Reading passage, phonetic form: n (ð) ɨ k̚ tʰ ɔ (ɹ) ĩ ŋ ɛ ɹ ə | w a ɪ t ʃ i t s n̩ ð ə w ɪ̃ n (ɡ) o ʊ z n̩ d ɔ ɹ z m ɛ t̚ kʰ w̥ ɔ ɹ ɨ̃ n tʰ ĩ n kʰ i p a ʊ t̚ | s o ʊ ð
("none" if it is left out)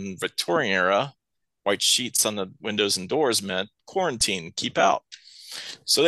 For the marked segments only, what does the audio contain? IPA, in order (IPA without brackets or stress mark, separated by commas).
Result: v, ɹ, d